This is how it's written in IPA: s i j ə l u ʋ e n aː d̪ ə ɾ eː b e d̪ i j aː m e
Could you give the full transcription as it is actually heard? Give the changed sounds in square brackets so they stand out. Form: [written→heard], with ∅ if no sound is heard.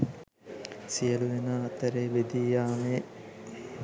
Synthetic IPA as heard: s i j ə l u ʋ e n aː [d̪→t̪] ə ɾ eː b e d̪ i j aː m e